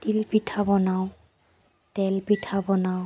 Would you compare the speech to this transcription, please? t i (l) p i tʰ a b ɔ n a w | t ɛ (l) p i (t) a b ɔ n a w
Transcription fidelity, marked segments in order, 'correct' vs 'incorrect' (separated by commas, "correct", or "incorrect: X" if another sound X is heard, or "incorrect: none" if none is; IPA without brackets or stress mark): correct, correct, incorrect: tʰ